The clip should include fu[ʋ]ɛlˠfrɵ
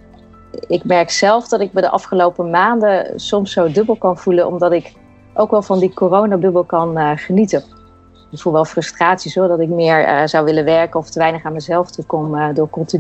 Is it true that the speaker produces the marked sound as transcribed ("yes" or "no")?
yes